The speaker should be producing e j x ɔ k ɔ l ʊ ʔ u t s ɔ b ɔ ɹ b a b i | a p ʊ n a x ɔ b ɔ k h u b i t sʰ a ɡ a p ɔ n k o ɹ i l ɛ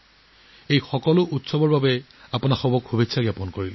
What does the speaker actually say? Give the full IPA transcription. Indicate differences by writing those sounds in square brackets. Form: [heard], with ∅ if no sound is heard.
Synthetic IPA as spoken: e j x ɔ k ɔ l ʊ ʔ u t s ɔ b ɔ ɹ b a b [ɛ] | a p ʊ n a x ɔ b ɔ k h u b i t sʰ a ɡ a p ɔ n k o ɹ i l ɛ